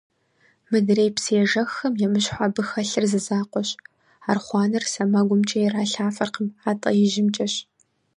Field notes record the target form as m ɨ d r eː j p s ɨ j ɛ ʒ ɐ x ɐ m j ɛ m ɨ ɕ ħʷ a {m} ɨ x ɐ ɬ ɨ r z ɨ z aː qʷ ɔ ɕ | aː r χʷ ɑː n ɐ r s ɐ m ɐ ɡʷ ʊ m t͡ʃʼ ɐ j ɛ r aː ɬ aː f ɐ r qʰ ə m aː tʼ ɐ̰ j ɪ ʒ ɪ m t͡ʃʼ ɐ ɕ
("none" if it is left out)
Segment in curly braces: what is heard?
b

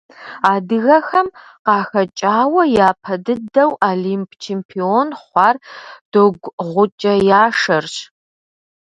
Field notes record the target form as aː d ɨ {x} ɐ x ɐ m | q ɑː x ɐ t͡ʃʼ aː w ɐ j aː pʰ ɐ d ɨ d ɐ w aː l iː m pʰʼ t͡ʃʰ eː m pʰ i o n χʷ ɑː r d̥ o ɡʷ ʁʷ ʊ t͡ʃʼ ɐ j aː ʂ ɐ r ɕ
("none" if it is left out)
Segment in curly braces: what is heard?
ɣ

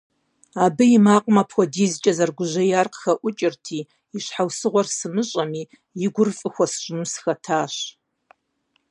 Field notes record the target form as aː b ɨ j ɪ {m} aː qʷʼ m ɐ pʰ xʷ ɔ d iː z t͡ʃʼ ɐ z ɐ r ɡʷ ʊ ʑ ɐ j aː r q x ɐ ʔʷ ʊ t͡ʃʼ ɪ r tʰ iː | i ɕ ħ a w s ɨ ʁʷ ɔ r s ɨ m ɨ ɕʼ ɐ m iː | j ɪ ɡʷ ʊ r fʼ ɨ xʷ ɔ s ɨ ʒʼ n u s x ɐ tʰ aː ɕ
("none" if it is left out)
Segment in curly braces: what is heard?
m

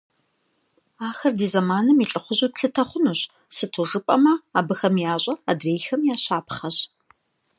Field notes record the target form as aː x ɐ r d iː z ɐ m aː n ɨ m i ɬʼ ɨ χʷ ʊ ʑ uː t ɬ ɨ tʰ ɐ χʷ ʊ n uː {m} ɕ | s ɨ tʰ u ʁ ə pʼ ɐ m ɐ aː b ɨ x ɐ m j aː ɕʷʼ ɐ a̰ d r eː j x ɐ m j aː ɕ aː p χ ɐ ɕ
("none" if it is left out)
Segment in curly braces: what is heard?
none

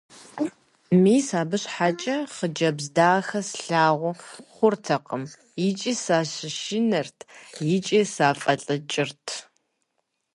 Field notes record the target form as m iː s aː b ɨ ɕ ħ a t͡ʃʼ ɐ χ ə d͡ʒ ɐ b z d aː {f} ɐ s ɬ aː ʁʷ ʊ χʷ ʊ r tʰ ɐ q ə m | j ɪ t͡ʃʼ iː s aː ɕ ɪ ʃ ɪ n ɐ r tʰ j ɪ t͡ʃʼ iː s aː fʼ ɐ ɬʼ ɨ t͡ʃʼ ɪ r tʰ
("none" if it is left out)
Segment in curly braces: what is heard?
x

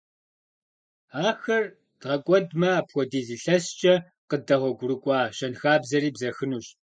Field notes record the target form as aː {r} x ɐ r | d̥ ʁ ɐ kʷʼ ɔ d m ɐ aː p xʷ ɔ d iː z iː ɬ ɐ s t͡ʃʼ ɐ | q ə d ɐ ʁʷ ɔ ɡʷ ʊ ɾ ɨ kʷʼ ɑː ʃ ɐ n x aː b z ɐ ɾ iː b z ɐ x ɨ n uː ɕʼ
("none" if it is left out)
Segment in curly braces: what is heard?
none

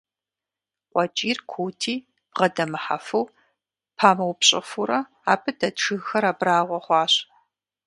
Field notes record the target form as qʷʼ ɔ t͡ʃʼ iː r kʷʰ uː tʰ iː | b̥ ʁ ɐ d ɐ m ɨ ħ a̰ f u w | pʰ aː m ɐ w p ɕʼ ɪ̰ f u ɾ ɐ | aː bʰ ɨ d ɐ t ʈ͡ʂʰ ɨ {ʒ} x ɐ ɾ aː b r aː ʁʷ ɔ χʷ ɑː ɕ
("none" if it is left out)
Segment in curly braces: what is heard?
ɣ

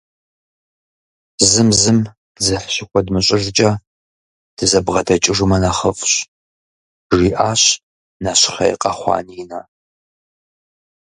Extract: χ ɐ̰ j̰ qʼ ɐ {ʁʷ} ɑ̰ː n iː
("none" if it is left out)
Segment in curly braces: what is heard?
χʷ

